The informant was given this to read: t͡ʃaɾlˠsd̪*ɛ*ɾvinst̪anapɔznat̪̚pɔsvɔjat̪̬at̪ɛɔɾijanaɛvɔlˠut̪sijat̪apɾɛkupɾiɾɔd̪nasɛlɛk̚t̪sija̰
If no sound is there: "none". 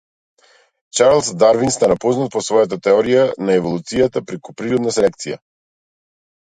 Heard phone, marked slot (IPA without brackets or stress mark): a